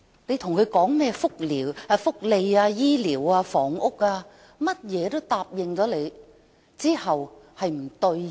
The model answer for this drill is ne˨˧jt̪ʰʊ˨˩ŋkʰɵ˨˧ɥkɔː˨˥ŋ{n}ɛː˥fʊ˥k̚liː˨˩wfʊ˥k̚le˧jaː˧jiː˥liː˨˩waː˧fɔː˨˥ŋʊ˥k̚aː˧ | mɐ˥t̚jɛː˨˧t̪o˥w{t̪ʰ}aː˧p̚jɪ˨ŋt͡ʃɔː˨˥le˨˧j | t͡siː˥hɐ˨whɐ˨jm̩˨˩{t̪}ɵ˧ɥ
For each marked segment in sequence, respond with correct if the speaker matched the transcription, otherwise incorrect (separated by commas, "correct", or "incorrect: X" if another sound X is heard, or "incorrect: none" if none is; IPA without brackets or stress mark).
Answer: incorrect: m, incorrect: t̪, correct